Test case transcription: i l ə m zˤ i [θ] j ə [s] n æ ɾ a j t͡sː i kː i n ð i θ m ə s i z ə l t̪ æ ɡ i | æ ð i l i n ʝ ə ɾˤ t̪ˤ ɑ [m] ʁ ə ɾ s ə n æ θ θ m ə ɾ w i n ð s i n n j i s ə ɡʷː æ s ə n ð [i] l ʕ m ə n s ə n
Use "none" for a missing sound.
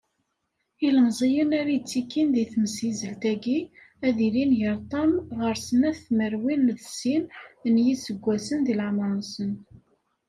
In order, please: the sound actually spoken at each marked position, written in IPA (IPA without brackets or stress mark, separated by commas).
none, none, m, i